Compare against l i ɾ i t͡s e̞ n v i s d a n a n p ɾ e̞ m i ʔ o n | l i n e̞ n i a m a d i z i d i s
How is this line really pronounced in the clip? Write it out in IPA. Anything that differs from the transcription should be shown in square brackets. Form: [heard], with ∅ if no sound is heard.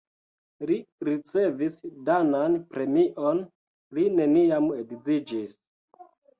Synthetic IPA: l i ɾ i t͡s e̞ [∅] v i s d a n a n p ɾ e̞ m i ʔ o n | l i n e̞ n i a m [e] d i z i [d͡ʒ] i s